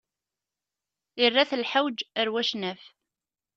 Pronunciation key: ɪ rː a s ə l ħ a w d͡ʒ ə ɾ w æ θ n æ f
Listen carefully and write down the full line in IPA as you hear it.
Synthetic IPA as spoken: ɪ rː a θ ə l ħ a w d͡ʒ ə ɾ w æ ʃ n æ f